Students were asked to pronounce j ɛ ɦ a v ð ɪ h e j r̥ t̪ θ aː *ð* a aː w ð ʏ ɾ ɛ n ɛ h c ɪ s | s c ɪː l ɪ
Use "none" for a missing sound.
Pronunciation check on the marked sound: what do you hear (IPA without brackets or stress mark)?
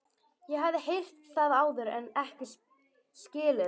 ð